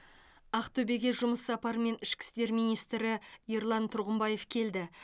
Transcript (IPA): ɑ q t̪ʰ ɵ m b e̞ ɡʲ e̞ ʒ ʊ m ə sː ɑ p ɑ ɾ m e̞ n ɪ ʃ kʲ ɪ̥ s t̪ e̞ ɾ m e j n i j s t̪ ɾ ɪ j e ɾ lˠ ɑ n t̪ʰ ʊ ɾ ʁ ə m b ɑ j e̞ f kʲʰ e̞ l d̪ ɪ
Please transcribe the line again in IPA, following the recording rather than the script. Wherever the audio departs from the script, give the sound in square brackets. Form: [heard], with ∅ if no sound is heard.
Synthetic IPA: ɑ q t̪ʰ ɵ [∅] b e̞ ɡʲ e̞ ʒ ʊ m ə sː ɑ p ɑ ɾ m e̞ n ɪ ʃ kʲ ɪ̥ s t̪ e̞ ɾ m [i] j n i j s t̪ ɾ ɪ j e ɾ lˠ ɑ n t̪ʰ ʊ ɾ ʁ ə m b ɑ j e̞ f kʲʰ e̞ l d̪ ɪ